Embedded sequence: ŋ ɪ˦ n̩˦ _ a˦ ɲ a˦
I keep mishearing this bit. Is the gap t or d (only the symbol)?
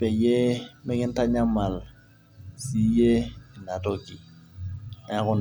t